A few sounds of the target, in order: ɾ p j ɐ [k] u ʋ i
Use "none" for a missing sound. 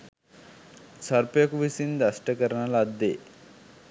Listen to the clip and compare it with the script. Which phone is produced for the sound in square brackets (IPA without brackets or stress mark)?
k